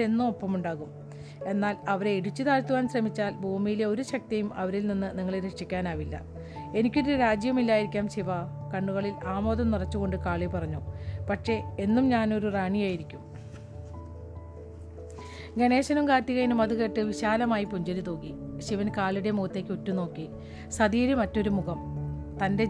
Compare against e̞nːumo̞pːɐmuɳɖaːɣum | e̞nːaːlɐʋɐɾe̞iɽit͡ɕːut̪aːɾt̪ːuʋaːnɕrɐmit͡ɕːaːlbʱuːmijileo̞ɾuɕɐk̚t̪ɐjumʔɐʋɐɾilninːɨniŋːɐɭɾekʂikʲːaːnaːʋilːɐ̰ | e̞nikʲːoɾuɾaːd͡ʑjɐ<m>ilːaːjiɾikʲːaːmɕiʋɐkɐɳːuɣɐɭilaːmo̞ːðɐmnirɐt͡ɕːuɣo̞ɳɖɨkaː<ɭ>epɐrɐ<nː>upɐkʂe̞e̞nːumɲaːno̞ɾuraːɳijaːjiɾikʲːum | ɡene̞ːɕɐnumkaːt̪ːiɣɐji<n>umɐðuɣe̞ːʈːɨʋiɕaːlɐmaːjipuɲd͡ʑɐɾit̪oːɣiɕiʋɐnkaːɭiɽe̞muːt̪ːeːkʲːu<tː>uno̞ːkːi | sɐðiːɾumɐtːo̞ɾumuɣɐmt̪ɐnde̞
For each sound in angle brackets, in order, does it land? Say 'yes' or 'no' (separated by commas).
yes, yes, no, yes, yes